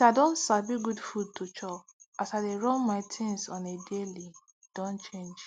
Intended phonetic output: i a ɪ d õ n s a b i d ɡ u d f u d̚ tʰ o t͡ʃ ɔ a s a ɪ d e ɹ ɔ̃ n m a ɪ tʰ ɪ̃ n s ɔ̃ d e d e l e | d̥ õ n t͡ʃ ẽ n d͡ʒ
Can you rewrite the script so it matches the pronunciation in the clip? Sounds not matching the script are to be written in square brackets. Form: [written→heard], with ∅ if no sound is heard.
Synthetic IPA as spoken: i a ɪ d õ n s a b i [d→∅] ɡ u d f u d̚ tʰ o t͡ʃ ɔ a s a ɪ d e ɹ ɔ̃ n m a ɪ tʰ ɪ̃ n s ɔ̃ [d→n] e d e l [e→i] | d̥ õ n t͡ʃ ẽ n d͡ʒ

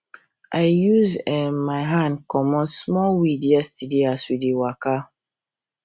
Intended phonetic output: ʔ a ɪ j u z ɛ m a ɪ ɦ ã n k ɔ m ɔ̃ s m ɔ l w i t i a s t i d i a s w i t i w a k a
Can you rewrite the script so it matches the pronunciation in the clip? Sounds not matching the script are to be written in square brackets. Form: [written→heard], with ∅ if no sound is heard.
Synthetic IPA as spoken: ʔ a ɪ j u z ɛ m a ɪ ɦ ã n k ɔ m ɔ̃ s m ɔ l w i [t→d] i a s t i d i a s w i [t→d] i w a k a

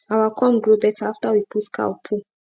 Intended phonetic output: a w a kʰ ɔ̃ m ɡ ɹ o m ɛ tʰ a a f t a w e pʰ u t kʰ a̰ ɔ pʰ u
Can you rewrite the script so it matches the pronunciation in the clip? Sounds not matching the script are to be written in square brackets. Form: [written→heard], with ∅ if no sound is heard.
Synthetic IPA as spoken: a w a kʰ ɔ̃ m ɡ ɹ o [m→b] ɛ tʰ a a f t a w [e→i] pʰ u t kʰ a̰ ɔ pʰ u

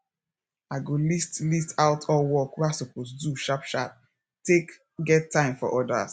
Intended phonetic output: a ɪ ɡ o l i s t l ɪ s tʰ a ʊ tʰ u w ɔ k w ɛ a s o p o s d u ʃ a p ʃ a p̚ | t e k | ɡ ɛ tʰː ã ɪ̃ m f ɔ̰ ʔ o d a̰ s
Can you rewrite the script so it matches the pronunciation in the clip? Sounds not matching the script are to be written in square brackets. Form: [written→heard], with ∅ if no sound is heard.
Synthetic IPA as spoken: a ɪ ɡ o l i s t l [ɪ→i] s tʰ a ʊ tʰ [u→ɔ] w ɔ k w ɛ a s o p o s d u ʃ a p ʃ a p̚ | t e k | ɡ ɛ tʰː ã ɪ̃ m f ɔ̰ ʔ [o→ɔ] d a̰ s

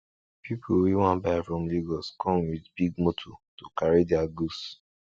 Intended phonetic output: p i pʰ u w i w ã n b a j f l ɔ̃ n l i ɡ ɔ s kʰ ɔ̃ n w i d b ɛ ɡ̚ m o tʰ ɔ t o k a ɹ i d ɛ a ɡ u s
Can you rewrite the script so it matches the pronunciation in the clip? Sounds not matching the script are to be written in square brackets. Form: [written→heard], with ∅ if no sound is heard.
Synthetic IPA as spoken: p i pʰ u w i w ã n b a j f [l→ɹ] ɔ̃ [n→m] l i ɡ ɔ s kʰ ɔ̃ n w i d b [ɛ→i] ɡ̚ m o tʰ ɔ t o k a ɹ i d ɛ a ɡ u s

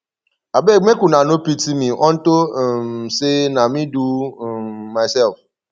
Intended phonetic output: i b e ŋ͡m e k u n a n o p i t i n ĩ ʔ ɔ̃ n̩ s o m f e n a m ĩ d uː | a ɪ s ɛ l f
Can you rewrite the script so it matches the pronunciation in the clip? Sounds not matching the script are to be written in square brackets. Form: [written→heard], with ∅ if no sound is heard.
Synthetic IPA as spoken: [i→a] b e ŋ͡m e k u n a n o p i t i [n→m] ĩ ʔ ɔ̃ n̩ [s→t] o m [f→s] e n a m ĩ d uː | a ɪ s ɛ l f

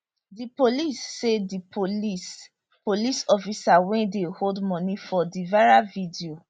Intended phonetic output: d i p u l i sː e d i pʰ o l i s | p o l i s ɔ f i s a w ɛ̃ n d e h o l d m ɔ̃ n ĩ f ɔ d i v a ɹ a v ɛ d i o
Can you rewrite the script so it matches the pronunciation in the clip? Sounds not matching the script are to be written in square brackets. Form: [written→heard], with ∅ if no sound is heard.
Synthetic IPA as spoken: d i p [u→o] l i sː e d i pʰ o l i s | p o l i s ɔ f i s a w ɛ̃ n d e h o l d m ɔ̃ n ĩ f ɔ d i v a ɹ a v [ɛ→i] d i o

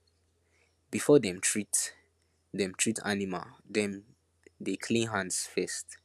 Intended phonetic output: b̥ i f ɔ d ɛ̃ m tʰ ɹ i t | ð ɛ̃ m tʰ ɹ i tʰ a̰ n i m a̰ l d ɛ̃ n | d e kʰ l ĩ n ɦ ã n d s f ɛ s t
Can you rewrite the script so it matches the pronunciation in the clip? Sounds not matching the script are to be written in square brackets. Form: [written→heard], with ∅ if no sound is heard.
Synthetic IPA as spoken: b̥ i f ɔ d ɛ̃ m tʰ ɹ i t | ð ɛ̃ m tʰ ɹ i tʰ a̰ n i m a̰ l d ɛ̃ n | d e kʰ l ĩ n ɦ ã n d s f ɛ s t

